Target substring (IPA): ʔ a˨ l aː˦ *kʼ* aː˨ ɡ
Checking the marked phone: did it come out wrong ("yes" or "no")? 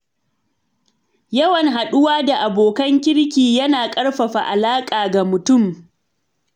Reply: no